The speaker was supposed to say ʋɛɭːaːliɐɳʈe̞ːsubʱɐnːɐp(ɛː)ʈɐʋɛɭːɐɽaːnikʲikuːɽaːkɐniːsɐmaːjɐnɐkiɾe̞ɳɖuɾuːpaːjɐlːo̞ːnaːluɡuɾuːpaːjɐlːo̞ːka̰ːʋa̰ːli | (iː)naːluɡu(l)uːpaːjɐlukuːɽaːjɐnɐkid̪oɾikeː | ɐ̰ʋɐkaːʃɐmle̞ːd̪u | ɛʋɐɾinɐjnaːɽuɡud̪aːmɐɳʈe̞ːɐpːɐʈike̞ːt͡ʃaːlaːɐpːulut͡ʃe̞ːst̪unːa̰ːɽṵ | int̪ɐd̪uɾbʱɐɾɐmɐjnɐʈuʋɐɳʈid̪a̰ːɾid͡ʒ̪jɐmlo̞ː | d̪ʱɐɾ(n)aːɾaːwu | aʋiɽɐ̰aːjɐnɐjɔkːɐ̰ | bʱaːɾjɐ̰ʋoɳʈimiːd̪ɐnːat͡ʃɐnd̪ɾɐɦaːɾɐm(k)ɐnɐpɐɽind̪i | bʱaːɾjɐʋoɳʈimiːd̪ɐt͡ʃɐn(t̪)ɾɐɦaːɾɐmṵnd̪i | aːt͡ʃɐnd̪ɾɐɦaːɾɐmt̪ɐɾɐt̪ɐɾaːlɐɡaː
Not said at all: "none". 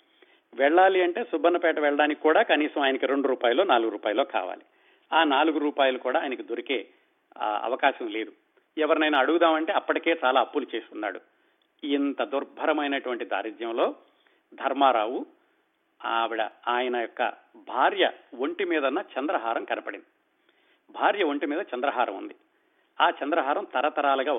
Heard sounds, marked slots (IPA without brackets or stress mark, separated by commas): ɛː, aː, ɾ, m, k, d̪